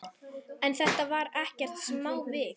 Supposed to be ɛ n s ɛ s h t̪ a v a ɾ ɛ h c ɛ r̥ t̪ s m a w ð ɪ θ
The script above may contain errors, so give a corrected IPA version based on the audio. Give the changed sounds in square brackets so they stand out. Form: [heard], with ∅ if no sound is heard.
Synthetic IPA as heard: ɛ n [θ] ɛ [∅] h t̪ a v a ɾ ɛ h c ɛ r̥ t̪ s m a w [v] ɪ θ